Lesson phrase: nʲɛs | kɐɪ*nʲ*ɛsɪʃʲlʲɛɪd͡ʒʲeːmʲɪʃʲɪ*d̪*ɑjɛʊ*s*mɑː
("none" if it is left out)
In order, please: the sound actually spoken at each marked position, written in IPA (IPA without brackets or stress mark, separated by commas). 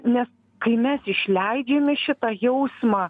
mʲ, t̪, s